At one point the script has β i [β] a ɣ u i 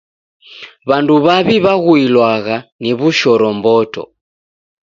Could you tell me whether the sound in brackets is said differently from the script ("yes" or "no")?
no